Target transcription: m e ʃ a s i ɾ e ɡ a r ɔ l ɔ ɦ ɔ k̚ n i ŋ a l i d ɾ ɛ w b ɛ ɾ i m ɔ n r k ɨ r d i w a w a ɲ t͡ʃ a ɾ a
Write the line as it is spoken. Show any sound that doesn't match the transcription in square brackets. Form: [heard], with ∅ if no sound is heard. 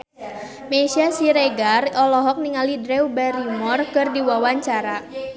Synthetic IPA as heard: m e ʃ a s i ɾ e ɡ a r ɔ l ɔ ɦ ɔ k̚ n i ŋ a l i d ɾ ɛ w b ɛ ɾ i m ɔ [∅] r k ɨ r d i w a w a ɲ t͡ʃ a ɾ a

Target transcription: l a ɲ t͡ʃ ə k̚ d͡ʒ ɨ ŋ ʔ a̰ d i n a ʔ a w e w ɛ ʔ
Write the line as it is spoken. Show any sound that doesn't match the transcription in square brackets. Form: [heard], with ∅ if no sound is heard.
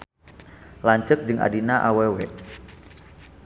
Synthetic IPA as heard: l a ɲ t͡ʃ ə k̚ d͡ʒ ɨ ŋ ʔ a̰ d i n a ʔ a w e w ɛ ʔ

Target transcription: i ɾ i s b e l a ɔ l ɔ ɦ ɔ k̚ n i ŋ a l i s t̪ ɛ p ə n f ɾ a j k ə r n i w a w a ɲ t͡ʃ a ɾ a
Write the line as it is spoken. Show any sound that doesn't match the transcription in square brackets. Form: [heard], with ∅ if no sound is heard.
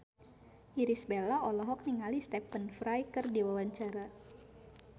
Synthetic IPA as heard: i ɾ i s b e l a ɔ l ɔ ɦ ɔ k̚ n i ŋ a l i s t̪ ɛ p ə n f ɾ a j k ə r [d] i w a w a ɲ t͡ʃ a ɾ a

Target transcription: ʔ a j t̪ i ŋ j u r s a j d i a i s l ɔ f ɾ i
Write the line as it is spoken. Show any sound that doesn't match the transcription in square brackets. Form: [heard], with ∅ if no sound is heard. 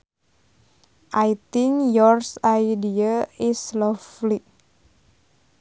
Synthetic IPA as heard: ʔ a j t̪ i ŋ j [ɔ] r s a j d i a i s l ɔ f [l] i

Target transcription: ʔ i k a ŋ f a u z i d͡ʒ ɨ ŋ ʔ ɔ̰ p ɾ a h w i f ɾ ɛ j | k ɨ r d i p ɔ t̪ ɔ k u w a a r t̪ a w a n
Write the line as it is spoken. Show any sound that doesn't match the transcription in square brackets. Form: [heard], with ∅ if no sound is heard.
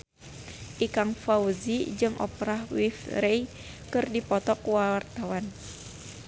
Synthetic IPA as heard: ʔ i k a ŋ f a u z i d͡ʒ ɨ ŋ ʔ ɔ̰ p ɾ a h w i f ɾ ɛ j | k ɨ r d i p ɔ t̪ ɔ k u w a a r t̪ a w a n

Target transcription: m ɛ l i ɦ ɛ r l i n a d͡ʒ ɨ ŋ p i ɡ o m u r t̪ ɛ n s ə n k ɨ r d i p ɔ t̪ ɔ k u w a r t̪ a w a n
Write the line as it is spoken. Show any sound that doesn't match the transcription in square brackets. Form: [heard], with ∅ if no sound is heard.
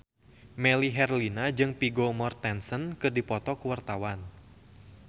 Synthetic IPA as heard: m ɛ l i ɦ ɛ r l i n a d͡ʒ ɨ ŋ p i ɡ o m [ɔ] r t̪ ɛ n s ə n k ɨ r d i p ɔ t̪ ɔ k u w a r t̪ a w a n

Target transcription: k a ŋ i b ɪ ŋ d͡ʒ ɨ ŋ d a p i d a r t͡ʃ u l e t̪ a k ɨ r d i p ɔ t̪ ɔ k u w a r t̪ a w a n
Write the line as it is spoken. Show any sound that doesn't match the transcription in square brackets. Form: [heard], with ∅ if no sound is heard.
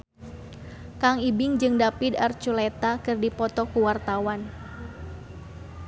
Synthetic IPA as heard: k a ŋ i b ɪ ŋ d͡ʒ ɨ ŋ d a p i d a r t͡ʃ u l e t̪ a k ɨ r d i p ɔ t̪ ɔ k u w a r t̪ a w a n

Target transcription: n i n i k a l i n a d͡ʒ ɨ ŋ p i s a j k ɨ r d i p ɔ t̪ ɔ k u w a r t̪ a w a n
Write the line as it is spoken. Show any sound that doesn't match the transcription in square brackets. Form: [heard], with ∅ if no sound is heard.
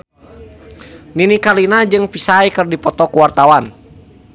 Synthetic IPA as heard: n i n i k a l i n a d͡ʒ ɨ ŋ p i s a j k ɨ r d i p ɔ t̪ ɔ k u w a r t̪ a w a n

